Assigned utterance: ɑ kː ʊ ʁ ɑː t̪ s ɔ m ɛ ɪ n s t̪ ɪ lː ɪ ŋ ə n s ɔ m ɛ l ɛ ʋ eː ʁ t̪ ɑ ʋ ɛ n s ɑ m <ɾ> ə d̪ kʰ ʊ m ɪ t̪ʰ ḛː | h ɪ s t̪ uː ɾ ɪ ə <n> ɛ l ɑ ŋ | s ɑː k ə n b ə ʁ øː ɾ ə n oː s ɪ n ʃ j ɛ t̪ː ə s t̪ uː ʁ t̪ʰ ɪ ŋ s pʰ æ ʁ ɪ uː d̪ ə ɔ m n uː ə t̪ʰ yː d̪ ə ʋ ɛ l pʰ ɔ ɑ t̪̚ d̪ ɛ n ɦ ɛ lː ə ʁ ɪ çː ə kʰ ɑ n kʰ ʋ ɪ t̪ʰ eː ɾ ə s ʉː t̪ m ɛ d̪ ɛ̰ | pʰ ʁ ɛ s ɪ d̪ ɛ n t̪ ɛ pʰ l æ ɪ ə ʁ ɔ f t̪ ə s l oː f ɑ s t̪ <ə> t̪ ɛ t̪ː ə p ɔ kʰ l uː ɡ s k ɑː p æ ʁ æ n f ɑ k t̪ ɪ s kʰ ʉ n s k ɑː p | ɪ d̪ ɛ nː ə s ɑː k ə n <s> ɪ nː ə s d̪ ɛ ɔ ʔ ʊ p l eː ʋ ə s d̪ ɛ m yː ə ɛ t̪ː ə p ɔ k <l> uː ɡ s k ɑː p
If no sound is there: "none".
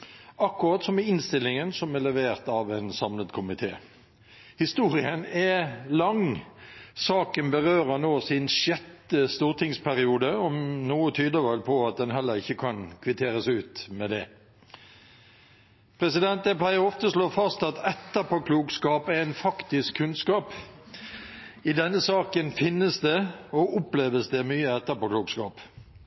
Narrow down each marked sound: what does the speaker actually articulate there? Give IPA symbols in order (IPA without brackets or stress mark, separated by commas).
l, n, ɑ, f, l